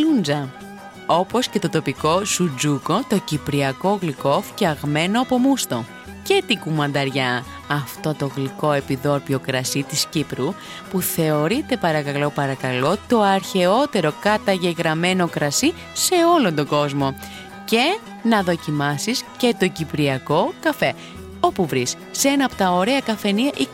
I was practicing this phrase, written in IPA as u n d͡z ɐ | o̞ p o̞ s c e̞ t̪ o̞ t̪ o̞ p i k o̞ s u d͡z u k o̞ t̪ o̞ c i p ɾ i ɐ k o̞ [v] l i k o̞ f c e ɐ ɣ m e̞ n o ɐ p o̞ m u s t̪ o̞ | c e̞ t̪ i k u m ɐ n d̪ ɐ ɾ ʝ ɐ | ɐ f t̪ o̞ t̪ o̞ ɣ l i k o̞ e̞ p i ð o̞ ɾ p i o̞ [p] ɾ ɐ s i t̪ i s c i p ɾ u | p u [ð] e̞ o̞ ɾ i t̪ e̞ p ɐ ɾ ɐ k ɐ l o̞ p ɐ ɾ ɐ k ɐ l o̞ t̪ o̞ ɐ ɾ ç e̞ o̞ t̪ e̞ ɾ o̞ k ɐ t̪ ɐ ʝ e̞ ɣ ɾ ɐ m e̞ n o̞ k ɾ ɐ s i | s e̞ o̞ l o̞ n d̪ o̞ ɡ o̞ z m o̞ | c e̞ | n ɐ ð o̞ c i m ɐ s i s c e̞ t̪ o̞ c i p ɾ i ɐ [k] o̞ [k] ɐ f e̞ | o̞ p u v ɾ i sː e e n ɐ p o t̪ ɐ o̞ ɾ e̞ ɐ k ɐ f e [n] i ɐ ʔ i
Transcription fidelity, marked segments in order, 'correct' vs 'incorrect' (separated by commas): incorrect, incorrect, incorrect, correct, correct, correct